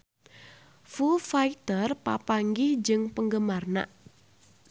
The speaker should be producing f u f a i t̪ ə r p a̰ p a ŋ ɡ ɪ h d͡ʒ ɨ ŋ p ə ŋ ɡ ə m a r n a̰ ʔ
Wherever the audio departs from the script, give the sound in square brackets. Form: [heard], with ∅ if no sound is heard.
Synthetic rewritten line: f u f a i t̪ ə r p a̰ p a ŋ ɡ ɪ h d͡ʒ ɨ ŋ p ə ŋ ɡ ə m a r n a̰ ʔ